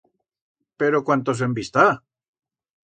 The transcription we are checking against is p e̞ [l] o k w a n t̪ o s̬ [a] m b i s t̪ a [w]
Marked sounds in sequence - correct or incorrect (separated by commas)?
incorrect, incorrect, incorrect